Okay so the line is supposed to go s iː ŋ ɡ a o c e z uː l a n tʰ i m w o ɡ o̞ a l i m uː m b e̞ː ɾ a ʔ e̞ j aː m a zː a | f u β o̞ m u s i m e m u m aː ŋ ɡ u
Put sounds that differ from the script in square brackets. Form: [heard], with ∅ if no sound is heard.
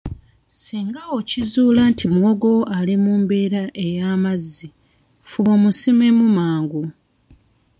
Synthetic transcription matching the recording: s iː ŋ ɡ a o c [i] z uː l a n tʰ i m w o ɡ o̞ a l i m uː m b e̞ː ɾ a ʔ e̞ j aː m a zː [i] | f u β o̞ m u s i m e m u m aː ŋ ɡ u

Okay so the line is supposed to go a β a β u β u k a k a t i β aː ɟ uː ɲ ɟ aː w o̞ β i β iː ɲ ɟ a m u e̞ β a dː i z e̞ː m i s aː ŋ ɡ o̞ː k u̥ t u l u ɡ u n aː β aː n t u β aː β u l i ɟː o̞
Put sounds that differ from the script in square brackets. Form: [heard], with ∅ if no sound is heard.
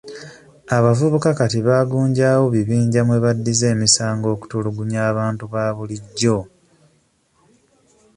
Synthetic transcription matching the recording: a β a [v] u β u k a k a t i β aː [ɡ] uː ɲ ɟ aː w o̞ β i β iː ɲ ɟ a m [w] e̞ β a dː i z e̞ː m i s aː ŋ ɡ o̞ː k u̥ t u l u ɡ u [ɲ] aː β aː n t u β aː β u l i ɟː o̞

